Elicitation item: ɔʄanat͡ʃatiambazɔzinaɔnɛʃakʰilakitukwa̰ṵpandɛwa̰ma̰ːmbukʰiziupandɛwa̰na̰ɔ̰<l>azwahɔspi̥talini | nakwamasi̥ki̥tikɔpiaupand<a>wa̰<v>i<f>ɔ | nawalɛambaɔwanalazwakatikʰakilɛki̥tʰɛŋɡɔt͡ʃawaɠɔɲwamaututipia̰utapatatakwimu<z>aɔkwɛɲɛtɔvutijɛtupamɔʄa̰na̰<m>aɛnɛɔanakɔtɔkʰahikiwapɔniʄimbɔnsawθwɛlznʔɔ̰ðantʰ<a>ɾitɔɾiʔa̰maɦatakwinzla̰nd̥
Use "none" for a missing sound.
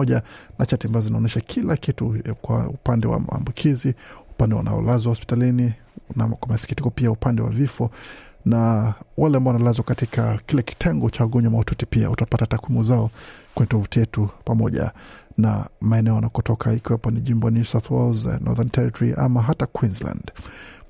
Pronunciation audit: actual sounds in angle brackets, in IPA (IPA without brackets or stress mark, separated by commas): l, ɛ, v, f, z, m, ɛ